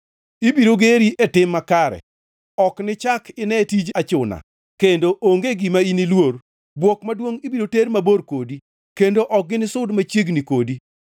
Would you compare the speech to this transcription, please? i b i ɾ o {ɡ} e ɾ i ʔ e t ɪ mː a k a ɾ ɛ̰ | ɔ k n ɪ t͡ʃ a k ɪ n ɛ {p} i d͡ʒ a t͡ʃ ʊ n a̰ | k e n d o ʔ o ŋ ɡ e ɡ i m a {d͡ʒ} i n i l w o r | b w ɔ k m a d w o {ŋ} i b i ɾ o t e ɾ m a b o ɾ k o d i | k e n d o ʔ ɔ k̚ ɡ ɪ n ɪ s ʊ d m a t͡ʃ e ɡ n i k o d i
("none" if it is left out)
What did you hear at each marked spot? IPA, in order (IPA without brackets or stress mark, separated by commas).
ɡ, t, none, ŋ